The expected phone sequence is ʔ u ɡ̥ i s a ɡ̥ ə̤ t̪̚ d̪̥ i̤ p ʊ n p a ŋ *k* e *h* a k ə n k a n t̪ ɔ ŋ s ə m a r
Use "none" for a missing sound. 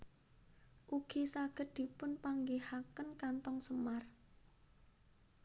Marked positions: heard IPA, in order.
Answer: ɡ, h

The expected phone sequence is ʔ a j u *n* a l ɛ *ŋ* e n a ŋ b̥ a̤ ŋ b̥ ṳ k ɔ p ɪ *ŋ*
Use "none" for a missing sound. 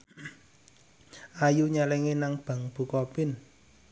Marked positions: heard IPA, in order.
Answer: ɲ, ŋ, n

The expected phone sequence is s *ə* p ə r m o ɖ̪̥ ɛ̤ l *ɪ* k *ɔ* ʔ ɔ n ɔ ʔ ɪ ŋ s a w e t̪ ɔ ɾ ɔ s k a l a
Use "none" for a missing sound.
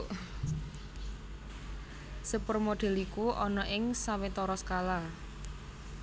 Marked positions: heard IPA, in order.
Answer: ə, i, u

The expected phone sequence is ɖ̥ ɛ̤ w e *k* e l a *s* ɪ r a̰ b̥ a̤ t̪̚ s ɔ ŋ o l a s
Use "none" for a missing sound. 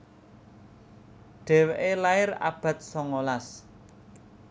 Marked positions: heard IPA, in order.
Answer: ʔ, none

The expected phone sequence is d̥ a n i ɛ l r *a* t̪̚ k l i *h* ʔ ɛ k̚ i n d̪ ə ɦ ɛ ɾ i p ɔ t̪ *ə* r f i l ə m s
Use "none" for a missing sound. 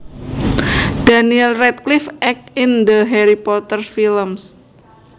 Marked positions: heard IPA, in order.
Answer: ɛ, f, ə

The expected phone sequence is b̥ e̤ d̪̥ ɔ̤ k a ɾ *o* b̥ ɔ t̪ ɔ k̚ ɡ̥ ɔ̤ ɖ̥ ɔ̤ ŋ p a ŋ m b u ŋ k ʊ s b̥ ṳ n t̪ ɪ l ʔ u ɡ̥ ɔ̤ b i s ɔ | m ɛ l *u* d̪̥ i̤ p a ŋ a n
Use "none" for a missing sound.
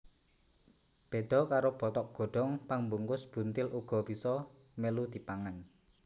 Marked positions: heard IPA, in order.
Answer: o, u

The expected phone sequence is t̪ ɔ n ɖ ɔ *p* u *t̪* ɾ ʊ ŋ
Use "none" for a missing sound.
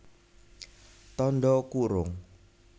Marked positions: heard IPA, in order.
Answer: k, none

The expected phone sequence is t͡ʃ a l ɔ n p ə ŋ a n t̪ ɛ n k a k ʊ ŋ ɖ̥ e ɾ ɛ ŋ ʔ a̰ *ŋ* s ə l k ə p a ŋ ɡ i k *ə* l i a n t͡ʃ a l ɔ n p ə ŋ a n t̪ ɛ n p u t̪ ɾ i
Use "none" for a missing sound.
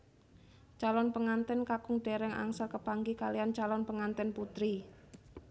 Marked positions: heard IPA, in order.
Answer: ŋ, a

